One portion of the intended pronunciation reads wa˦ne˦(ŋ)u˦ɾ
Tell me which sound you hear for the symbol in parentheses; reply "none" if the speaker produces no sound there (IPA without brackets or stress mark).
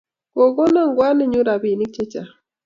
ɲ